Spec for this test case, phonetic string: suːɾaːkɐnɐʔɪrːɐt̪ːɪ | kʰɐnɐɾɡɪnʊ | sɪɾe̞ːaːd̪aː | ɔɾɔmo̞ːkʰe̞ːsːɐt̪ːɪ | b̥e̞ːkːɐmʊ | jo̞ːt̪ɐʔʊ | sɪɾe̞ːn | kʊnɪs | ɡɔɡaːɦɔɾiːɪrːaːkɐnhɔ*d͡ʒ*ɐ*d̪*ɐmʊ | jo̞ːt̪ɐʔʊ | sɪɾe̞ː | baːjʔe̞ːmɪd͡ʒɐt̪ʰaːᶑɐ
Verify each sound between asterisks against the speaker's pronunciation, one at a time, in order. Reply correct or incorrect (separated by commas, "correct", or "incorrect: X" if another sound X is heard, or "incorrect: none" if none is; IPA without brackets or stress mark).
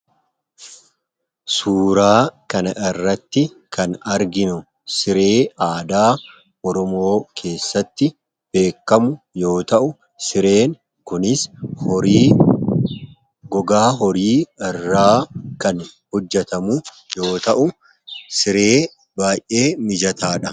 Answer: incorrect: d͡ʒː, incorrect: t̪